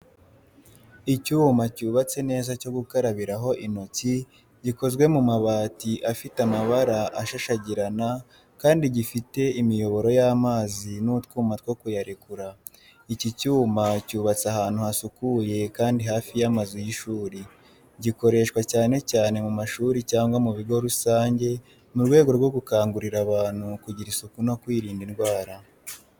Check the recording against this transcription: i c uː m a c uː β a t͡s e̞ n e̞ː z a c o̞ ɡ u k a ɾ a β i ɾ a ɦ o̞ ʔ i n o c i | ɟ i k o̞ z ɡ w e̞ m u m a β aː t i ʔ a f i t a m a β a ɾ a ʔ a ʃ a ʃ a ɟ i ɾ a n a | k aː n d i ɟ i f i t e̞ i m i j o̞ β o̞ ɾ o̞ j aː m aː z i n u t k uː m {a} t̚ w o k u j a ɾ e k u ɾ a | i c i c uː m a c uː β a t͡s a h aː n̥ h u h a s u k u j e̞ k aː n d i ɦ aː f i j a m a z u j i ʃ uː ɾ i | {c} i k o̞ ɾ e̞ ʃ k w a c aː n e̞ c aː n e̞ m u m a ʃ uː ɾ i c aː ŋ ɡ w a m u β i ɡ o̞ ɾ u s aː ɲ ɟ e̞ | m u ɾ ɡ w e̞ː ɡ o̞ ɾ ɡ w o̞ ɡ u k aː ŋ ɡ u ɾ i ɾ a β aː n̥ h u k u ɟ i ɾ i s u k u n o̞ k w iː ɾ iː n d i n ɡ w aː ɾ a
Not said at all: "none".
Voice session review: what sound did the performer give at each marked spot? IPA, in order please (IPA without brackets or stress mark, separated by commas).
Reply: a, ɟ